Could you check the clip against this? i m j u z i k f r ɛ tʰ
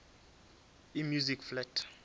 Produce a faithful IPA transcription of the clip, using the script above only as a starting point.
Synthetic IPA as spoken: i m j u z i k f l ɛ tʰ